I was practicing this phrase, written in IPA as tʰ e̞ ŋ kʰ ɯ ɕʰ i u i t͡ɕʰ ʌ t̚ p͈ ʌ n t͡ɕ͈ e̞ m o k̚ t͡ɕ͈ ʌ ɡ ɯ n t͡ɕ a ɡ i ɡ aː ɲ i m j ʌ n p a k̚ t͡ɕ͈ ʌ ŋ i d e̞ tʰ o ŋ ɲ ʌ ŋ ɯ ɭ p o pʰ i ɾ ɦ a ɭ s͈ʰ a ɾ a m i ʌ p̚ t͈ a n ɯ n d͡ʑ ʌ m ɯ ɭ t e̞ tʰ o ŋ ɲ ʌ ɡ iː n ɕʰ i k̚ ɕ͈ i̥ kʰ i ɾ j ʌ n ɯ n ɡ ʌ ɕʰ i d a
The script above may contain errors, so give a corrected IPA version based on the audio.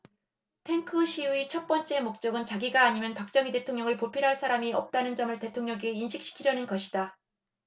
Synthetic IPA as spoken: tʰ e̞ ŋ kʰ ɯ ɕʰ i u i t͡ɕʰ ʌ t̚ p͈ ʌ n t͡ɕ͈ e̞ m o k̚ t͡ɕ͈ ʌ ɡ ɯ n t͡ɕ a ɡ i ɡ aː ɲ i m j ʌ n p a k̚ t͡ɕ͈ ʌ ŋ i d e̞ tʰ o ŋ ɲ ʌ ŋ ɯ ɭ p o pʰ i ɾ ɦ a ɭ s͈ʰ a ɾ a m i ʌ p̚ t͈ a n ɯ n d͡ʑ ʌ m ɯ ɭ t e̞ tʰ o ŋ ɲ ʌ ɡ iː n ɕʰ i k̚ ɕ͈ i̥ kʰ i ɾ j ʌ n ɯ n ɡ ʌ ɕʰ i d a

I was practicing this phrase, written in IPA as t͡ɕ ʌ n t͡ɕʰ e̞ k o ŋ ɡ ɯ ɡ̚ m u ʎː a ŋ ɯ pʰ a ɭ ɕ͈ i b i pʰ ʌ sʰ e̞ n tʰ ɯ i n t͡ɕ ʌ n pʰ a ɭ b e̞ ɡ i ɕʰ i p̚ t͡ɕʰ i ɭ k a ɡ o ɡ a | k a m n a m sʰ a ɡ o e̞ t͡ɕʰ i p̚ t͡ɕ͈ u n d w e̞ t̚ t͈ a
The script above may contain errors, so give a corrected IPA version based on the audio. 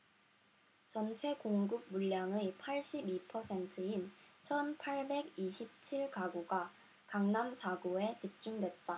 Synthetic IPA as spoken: t͡ɕ ʌ n t͡ɕʰ e̞ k o ŋ ɡ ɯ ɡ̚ m u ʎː a ŋ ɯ pʰ a ɭ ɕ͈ i b i pʰ ʌ sʰ e̞ n tʰ ɯ i n t͡ɕʰ ʌ n pʰ a ɭ b e̞ ɡ i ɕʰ i p̚ t͡ɕʰ i ɭ k a ɡ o ɡ a | k a ŋ n a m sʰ a ɡ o e̞ t͡ɕ i p̚ t͡ɕ͈ u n d w e̞ t̚ t͈ a

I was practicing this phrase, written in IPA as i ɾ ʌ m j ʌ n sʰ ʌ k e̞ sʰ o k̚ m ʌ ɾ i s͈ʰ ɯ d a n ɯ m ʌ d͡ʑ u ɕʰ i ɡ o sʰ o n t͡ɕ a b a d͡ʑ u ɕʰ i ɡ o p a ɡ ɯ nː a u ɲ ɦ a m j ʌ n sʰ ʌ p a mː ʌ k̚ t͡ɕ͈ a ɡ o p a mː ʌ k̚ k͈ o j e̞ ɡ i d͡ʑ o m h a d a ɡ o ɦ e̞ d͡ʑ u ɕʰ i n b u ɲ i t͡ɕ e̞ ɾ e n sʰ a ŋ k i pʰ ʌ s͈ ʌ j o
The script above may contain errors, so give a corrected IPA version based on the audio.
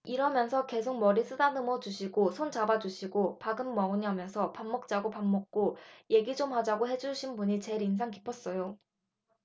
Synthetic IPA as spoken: i ɾ ʌ m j ʌ n sʰ ʌ k e̞ sʰ o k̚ m ʌ ɾ i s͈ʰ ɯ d a n ɯ m ʌ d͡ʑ u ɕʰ i ɡ o sʰ o n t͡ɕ a b a d͡ʑ u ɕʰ i ɡ o p a ɡ ɯ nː ʌ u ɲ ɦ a m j ʌ n sʰ ʌ p a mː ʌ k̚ t͡ɕ͈ a ɡ o p a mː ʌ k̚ k͈ o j e̞ ɡ i d͡ʑ o m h a d͡ʑ a ɡ o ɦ e̞ d͡ʑ u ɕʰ i n b u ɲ i t͡ɕ e̞ ɾ i n sʰ a ŋ k i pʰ ʌ s͈ ʌ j o

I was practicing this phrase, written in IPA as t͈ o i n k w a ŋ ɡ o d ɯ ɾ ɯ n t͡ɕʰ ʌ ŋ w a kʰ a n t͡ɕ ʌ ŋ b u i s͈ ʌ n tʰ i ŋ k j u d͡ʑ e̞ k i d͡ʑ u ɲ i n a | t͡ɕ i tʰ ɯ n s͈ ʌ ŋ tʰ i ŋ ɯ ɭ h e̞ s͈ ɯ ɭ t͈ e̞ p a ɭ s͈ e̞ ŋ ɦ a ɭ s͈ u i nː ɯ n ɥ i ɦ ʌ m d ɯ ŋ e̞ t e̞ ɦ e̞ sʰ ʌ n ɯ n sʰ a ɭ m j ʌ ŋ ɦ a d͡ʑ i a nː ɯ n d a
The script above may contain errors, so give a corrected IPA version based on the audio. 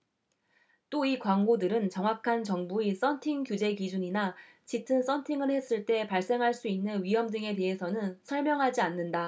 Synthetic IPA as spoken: t͈ o i k w a ŋ ɡ o d ɯ ɾ ɯ n t͡ɕ ʌ ŋ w a kʰ a n t͡ɕ ʌ ŋ b u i s͈ ʌ n tʰ i ŋ k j u d͡ʑ e̞ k i d͡ʑ u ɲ i n a | t͡ɕ i tʰ ɯ n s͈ ʌ n tʰ i ŋ ɯ ɭ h e̞ s͈ ɯ ɭ t͈ e̞ p a ɭ s͈ e̞ ŋ ɦ a ɭ s͈ u i nː ɯ n ɥ i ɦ ʌ m d ɯ ŋ e̞ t e̞ ɦ e̞ sʰ ʌ n ɯ n sʰ ʌ ɭ m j ʌ ŋ ɦ a d͡ʑ i a nː ɯ n d a

